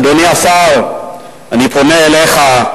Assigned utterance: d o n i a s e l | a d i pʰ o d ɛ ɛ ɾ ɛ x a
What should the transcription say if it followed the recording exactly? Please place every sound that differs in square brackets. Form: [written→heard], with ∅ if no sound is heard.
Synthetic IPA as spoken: d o n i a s [e→a] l | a [d→n] i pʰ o [d→n] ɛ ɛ [ɾ→l] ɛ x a

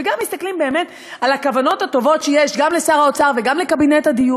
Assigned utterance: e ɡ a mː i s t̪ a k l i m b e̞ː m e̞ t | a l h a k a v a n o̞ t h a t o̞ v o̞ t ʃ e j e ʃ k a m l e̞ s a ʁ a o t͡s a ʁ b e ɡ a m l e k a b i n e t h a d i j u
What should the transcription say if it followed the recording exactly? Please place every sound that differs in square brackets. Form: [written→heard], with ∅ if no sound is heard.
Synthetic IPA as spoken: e ɡ a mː i s t̪ a k l i m b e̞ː m e̞ t | a l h a k a v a n o̞ t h a t o̞ v o̞ t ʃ e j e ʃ [k→ɡ] a m l e̞ s a ʁ a o t͡s a ʁ [b→v] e ɡ a m l e k a b i n e t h a d i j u

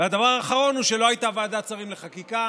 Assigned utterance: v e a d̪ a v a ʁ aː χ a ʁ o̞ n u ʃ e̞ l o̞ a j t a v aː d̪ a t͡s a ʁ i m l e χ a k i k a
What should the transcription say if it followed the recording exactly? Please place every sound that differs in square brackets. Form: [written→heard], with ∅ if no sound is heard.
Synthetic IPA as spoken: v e a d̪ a v a ʁ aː χ a ʁ o̞ n u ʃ e̞ l o̞ a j t a v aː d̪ a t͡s a ʁ i m l e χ a k i k a

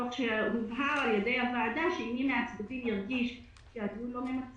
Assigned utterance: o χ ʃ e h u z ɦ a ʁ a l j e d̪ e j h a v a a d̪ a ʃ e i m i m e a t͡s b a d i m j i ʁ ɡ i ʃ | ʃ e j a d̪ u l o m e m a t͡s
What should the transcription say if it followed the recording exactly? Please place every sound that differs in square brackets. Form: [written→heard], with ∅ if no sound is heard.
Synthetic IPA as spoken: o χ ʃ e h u [z→v] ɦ a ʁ a l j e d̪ e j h a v a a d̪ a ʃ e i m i m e a t͡s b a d i m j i ʁ ɡ i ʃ | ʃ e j a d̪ u l o m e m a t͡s

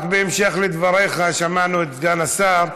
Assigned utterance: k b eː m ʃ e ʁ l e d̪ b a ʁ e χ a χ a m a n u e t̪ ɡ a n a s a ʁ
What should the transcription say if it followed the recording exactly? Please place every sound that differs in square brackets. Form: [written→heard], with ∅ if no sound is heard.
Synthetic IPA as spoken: k b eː m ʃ e [ʁ→χ] l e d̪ [b→v] a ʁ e χ a [χ→ʃ] a m a n u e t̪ ɡ a n a s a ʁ

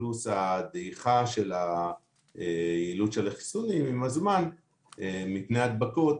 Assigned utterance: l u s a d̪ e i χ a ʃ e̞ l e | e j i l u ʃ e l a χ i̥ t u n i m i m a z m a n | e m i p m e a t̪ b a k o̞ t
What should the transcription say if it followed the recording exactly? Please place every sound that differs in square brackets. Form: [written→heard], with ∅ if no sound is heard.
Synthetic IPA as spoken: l u s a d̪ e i χ a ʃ e̞ l [e→a] | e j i l u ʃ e l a χ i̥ [t→s] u n i m i m a z m a n | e m i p [m→n] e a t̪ b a k o̞ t

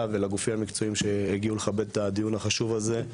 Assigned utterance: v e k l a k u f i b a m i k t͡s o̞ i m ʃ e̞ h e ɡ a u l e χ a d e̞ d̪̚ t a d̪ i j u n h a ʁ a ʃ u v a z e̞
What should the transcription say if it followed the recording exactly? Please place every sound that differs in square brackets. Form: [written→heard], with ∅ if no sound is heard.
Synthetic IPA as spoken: v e [k→∅] l a [k→ɡ] u f i [b→m] a m i k t͡s o̞ i m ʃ e̞ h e ɡ [a→i] u l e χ a [d→b] e̞ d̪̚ t a d̪ i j u n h a [ʁ→χ] a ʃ u v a z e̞

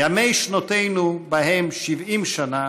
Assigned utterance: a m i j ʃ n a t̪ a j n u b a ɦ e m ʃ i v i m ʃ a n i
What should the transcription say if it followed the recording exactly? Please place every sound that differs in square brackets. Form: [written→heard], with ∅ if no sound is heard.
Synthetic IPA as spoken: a m [i→e] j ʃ n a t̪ [a→e] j n u b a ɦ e m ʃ i v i m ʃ a n [i→a]

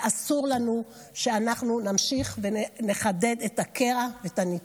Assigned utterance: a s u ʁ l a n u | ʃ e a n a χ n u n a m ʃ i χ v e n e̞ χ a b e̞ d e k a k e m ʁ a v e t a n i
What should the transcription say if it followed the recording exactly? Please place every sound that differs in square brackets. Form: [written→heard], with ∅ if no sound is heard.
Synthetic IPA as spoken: a s u ʁ l a n u | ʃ e a n a χ n u n a m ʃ i χ v e n e̞ χ a [b→d] e̞ d e [k→t] a k e [m→∅] ʁ a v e t a n i

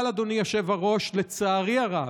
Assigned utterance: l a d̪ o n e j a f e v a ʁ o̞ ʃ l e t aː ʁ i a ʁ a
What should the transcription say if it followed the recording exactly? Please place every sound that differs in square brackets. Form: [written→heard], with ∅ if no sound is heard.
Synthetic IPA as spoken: l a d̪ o n [e→i] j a [f→ʃ] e v a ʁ o̞ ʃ l e [t→t͡s] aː ʁ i a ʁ a

